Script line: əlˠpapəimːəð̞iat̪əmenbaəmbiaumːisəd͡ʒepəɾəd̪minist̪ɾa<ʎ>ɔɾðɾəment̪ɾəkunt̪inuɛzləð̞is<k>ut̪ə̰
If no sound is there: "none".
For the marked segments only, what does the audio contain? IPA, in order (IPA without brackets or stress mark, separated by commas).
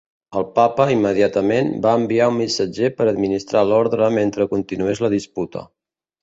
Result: l, p